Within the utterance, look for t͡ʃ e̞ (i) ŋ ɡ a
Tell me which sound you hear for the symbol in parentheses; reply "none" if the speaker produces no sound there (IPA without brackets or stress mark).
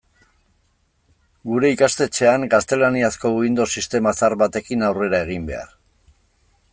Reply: a